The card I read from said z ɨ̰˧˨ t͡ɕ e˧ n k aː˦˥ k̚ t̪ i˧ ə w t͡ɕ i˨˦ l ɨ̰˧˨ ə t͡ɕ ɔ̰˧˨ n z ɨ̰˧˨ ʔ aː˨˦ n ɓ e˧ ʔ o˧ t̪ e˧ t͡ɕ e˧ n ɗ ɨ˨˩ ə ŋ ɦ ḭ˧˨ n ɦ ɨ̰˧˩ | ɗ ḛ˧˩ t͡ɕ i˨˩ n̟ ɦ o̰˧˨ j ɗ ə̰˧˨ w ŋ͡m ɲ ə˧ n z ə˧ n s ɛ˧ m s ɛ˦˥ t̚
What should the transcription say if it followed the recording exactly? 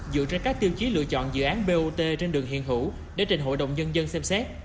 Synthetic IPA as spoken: z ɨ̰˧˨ t͡ɕ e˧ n k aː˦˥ k̚ t̪ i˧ ə w t͡ɕ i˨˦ l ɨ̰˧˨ ə t͡ɕ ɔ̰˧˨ n z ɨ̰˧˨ ʔ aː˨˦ n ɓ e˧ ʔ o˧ t̪ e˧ t͡ɕ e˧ n ɗ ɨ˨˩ ə ŋ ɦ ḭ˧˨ n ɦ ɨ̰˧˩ | ɗ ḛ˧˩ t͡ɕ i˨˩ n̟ ɦ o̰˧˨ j ɗ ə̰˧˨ w ŋ͡m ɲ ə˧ n z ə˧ n s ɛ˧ m s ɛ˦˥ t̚